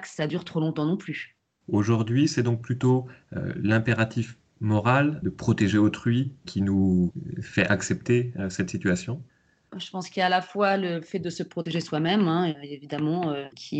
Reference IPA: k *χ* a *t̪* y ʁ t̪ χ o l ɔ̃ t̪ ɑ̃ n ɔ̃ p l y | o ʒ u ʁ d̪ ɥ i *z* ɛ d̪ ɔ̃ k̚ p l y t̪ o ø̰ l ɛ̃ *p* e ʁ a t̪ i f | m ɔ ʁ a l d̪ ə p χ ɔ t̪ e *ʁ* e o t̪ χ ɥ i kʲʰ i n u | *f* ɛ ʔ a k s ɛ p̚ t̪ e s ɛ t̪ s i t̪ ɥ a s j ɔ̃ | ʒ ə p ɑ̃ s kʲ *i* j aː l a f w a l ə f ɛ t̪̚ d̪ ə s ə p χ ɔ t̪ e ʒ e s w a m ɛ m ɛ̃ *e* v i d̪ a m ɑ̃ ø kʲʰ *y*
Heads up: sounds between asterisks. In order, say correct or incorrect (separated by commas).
incorrect, incorrect, incorrect, correct, incorrect, correct, correct, correct, incorrect